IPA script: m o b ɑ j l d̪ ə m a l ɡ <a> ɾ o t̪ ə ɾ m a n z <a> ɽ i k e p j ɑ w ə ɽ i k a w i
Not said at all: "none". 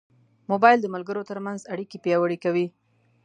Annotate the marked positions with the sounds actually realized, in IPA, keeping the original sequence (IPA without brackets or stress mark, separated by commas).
ə, a